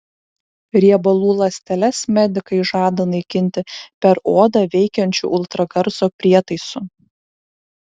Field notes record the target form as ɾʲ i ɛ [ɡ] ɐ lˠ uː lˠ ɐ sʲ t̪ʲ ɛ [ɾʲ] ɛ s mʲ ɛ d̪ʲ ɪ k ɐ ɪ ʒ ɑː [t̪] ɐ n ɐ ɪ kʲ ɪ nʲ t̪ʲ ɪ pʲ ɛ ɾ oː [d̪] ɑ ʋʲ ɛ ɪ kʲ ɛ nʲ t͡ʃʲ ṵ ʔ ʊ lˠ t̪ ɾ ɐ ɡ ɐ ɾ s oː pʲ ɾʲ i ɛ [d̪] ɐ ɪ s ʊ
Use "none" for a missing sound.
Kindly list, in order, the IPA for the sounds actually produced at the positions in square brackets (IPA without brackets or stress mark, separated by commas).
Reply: b, lʲ, d̪, d̪, t̪